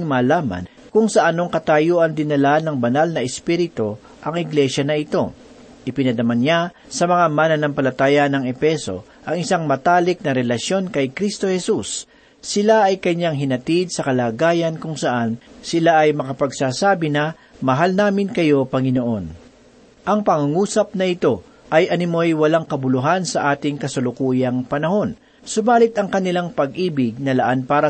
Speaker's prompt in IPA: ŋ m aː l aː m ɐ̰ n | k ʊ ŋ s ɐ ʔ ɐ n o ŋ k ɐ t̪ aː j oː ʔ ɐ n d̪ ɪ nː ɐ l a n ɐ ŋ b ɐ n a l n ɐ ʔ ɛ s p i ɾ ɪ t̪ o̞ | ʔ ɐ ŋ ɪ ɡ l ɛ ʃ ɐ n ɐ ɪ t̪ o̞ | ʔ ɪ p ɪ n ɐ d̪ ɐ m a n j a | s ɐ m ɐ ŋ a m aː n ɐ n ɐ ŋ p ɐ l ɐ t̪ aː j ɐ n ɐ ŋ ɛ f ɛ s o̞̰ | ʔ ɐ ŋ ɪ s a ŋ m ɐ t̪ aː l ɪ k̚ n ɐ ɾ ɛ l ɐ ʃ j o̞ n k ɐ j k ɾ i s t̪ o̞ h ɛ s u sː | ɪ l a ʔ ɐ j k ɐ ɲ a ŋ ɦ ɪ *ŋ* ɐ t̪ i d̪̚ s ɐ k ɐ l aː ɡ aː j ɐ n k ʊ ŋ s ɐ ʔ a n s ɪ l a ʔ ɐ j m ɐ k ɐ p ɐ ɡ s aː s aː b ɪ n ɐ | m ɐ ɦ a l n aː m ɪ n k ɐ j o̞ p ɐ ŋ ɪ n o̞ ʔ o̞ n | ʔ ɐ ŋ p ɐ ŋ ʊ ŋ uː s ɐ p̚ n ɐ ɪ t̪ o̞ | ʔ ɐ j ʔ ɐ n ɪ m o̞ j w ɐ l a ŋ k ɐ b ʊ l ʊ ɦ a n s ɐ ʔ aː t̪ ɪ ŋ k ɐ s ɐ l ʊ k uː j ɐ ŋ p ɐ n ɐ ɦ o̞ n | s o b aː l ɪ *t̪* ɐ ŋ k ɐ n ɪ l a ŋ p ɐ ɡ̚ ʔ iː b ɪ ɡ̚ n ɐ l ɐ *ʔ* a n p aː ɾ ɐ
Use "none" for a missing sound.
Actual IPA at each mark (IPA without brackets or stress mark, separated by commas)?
n, t̪, ʔ